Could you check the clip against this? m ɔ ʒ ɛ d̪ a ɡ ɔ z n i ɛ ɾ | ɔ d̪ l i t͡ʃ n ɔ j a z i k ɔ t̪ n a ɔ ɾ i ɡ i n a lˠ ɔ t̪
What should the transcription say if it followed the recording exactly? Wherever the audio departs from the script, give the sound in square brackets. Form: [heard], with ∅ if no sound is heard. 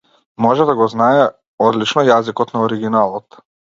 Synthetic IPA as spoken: m ɔ ʒ ɛ d̪ a ɡ ɔ z n [a] ɛ [∅] | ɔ d̪ l i t͡ʃ n ɔ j a z i k ɔ t̪ n a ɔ ɾ i ɡ i n a lˠ ɔ t̪